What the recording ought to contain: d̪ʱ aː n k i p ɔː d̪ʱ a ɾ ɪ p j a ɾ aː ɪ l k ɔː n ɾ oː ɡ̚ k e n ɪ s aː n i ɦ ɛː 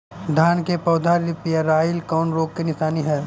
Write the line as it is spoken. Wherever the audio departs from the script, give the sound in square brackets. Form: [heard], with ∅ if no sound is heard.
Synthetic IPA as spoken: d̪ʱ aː n k [e] p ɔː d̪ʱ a ɾ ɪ p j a ɾ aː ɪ l k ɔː n ɾ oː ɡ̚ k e n ɪ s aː n i ɦ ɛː